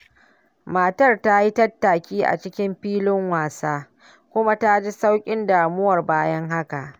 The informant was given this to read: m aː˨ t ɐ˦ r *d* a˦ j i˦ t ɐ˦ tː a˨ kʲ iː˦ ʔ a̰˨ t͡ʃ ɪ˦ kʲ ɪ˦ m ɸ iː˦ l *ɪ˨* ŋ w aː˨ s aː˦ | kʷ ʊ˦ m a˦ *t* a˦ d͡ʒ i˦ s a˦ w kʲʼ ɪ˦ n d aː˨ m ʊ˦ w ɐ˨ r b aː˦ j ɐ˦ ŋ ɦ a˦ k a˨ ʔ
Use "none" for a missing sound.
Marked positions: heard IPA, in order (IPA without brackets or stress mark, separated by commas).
t, ɪ˦, t